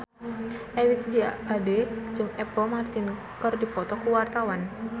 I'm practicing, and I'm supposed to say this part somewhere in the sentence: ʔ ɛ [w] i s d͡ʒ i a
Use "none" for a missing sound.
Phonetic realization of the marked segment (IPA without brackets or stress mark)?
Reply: w